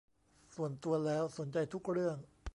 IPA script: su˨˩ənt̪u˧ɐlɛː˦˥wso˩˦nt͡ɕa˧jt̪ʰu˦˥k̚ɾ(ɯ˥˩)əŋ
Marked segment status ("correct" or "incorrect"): correct